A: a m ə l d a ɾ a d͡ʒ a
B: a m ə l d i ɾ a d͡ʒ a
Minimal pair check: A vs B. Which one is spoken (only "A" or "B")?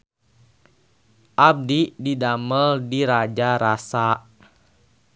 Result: B